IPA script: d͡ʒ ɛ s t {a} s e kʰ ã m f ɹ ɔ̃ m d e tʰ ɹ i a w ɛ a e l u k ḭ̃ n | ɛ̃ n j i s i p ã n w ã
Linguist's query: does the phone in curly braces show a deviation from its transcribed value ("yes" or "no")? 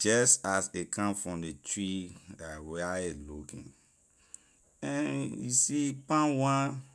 no